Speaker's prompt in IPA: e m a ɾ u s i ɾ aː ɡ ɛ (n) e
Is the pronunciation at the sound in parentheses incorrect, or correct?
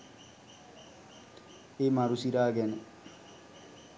correct